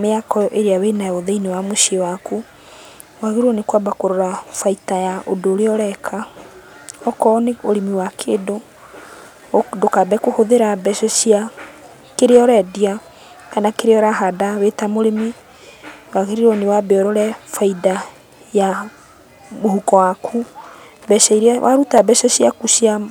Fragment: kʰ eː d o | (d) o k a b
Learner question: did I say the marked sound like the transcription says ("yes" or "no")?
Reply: yes